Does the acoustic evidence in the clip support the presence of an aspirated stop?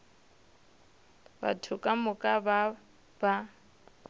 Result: yes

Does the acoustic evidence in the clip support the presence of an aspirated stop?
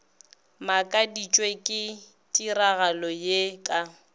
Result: no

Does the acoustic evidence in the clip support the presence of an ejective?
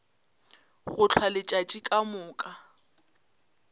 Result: yes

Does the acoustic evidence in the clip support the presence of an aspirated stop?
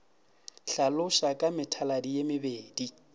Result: yes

